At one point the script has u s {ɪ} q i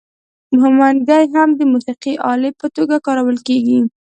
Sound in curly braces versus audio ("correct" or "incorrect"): incorrect